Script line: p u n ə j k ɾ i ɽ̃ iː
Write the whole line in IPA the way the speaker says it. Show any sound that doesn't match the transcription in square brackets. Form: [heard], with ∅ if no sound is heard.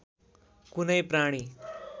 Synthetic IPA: [k] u n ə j [p] ɾ [a] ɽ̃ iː

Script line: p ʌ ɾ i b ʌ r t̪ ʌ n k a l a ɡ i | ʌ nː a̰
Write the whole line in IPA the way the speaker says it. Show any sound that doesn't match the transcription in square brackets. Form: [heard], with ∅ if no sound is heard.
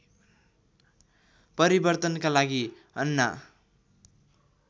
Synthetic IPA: p ʌ ɾ i b ʌ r t̪ ʌ n k a l a ɡ i | ʌ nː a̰

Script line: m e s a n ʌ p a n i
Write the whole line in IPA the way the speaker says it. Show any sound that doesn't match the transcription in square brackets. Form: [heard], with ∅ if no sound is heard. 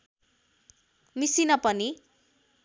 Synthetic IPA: m [i] s [i] n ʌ p [ʌ] n i

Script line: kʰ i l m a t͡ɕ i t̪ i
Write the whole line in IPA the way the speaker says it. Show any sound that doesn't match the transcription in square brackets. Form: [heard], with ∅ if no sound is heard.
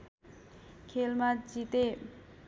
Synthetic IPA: kʰ [e] l m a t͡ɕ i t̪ [e]

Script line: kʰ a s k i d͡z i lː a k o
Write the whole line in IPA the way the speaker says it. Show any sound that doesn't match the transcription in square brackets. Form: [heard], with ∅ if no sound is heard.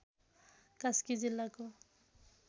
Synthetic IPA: [k] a s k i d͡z i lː a k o

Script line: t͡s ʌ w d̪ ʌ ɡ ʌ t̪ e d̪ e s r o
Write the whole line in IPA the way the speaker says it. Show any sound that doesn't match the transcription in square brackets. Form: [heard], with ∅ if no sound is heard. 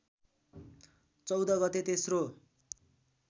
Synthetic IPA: t͡s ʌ w d̪ ʌ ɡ ʌ t̪ e [t̪] e s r o

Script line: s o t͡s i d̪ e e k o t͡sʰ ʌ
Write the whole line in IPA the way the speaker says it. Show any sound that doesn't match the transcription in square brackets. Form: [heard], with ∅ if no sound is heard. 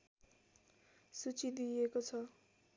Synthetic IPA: s [u] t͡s i d̪ [i] e k o t͡sʰ ʌ

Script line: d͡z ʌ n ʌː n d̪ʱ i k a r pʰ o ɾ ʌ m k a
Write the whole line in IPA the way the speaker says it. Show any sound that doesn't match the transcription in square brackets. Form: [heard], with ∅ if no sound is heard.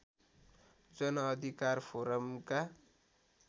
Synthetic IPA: d͡z ʌ n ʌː [∅] d̪ʱ i k a r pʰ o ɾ ʌ m k a

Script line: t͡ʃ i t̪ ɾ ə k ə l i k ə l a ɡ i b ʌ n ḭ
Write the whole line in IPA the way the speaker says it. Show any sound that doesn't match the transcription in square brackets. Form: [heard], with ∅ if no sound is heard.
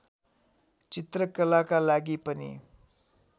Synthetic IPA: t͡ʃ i t̪ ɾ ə k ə l [a] k [a] l a ɡ i [p] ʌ n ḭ

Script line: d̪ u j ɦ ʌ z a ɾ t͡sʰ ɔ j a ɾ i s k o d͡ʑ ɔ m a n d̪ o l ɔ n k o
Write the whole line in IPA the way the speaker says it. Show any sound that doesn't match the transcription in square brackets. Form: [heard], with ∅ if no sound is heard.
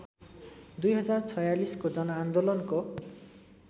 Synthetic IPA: d̪ u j ɦ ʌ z a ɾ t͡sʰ ɔ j a [l] i s k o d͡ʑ ɔ [n] a n d̪ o l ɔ n k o

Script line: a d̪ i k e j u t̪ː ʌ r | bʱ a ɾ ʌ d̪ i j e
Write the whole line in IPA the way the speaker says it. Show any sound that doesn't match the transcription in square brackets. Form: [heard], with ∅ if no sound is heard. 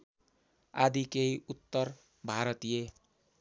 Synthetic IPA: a d̪ i k e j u t̪ː ʌ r | bʱ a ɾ ʌ [t̪] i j e

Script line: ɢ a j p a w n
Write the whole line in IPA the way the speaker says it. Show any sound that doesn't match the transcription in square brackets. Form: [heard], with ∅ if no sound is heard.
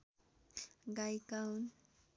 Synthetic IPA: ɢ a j [k] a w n

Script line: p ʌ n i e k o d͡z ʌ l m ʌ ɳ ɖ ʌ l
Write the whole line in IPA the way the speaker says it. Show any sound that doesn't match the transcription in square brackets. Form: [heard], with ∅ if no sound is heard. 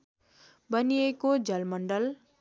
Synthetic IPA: [b] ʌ n i e k o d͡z ʌ l m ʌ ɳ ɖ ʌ l

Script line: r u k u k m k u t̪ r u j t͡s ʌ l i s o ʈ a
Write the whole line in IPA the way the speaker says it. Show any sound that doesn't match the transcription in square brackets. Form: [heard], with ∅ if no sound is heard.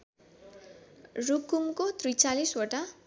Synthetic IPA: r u k u [∅] m k [o] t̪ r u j t͡s [a] l i s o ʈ a

